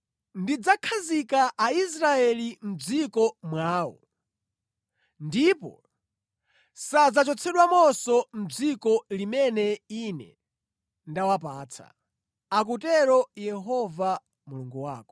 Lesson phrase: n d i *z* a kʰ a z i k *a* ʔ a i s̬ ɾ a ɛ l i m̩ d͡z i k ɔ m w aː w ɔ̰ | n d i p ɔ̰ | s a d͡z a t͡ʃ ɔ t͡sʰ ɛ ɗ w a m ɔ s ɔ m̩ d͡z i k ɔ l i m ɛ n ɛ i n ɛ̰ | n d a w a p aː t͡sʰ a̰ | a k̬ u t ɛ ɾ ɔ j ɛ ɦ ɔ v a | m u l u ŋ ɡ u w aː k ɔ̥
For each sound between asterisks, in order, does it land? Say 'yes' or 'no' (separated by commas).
no, yes